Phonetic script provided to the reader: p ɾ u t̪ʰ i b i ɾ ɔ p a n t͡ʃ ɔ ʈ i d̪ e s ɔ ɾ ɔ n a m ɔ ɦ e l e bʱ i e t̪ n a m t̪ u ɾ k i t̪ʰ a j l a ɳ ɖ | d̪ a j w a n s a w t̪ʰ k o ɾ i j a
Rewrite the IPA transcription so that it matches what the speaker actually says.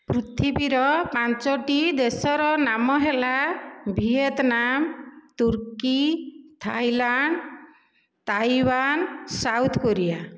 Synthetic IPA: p ɾ u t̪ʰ i b i ɾ ɔ p a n t͡ʃ ɔ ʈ i d̪ e s ɔ ɾ ɔ n a m ɔ ɦ e l a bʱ i e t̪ n a m t̪ u ɾ k i t̪ʰ a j l a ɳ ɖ | t̪ a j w a n s a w t̪ʰ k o ɾ i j a